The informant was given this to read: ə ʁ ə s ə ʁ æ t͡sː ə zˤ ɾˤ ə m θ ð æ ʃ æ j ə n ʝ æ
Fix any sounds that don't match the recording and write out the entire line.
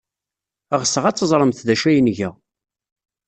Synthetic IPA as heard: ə ʁ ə s ə ʁ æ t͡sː ə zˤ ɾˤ ə m θ ð æ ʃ æ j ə n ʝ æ

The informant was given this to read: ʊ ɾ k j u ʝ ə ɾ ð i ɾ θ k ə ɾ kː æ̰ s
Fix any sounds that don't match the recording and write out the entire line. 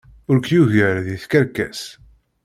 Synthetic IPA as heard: ʊ ɾ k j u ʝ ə ɾ ð i θ k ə ɾ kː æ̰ s

